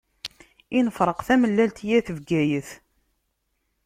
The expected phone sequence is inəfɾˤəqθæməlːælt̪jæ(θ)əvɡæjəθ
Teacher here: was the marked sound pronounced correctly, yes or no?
yes